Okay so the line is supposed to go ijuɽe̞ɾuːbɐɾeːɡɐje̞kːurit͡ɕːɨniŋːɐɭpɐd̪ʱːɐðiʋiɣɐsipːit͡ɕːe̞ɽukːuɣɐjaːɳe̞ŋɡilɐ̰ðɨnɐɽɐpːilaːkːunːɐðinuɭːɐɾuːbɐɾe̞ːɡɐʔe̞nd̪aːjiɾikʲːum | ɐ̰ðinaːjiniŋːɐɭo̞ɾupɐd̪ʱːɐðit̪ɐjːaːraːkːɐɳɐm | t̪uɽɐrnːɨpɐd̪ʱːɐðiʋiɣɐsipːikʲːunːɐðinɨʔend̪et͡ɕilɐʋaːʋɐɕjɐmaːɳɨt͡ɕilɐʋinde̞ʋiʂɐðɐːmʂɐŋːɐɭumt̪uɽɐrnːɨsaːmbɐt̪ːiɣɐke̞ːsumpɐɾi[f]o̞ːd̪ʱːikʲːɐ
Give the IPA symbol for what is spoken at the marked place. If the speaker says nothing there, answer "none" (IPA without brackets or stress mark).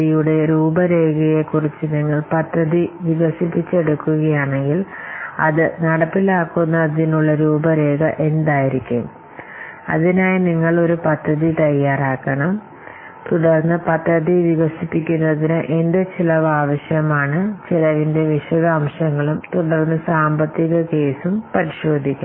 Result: ɕ